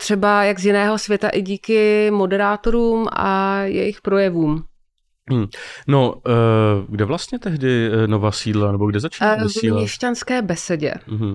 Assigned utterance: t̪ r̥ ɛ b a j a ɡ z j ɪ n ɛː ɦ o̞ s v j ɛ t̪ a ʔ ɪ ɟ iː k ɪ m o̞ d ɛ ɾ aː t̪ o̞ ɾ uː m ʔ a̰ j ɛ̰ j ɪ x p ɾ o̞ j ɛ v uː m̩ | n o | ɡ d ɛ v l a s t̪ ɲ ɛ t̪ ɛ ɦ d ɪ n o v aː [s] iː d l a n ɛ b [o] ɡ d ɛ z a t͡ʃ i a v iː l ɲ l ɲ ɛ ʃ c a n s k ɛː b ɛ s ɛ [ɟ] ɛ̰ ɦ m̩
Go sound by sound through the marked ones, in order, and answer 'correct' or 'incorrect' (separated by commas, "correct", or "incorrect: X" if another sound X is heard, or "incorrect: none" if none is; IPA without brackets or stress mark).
correct, correct, correct